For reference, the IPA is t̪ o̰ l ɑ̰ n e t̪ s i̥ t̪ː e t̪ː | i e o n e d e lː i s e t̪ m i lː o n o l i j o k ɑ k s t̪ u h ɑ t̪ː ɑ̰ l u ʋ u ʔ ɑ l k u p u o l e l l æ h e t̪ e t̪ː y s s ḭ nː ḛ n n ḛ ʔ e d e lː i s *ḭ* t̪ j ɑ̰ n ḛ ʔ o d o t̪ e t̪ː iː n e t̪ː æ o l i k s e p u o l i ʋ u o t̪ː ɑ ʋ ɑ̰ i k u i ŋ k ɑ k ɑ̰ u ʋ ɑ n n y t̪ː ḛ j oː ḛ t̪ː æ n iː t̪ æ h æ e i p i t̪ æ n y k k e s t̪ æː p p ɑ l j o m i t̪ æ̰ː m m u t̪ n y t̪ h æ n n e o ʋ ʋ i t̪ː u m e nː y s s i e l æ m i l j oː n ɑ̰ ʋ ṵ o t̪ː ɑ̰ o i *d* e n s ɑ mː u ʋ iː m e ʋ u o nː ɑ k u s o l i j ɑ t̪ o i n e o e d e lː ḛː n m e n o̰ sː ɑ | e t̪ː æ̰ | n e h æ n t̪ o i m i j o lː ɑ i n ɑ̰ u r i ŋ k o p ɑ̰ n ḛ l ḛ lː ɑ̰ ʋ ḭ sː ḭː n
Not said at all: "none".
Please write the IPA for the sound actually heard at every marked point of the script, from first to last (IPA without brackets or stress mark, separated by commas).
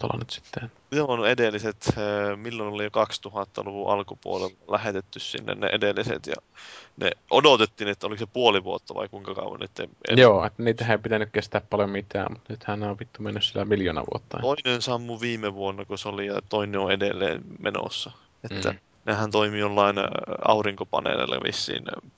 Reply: ḛ, n